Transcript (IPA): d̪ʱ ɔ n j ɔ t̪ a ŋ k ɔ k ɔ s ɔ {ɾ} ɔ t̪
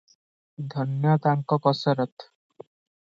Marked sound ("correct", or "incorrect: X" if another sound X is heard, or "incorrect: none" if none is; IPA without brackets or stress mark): correct